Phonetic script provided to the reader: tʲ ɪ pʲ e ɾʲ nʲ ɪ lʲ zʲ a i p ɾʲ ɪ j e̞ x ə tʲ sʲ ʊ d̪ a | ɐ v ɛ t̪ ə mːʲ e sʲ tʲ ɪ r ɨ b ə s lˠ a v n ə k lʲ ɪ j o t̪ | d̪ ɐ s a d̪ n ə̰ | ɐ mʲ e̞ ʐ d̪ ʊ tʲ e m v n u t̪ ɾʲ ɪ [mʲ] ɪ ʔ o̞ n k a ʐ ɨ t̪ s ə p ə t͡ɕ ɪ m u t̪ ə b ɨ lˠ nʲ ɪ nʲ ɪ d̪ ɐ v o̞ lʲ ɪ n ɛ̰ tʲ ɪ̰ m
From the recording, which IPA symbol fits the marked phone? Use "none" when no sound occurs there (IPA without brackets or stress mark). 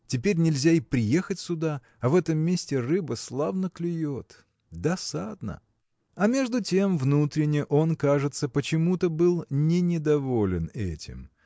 nʲ